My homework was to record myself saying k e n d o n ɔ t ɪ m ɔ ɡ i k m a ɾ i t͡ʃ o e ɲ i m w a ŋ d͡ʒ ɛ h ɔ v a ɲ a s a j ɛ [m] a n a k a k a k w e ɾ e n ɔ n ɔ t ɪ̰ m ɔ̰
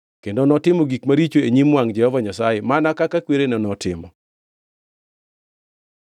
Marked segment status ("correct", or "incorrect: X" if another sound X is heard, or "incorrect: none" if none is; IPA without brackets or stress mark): correct